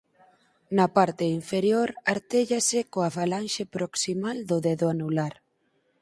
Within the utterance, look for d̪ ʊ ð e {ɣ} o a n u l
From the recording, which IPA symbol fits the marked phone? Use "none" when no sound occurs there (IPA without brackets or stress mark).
ð